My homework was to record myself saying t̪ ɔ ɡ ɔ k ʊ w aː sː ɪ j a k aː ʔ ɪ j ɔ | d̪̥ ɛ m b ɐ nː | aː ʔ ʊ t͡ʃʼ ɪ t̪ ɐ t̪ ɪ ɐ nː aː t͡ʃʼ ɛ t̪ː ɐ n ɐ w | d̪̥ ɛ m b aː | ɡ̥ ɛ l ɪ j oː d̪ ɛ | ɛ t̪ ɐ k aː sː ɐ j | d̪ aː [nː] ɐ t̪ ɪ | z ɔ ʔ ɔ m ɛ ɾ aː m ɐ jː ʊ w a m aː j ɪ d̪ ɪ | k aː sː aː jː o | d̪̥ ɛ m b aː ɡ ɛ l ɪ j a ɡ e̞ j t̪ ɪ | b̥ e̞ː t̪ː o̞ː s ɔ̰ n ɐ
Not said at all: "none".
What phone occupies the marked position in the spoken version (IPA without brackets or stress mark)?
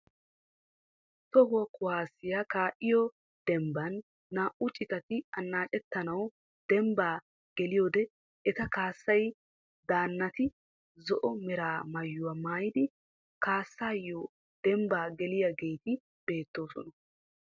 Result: nː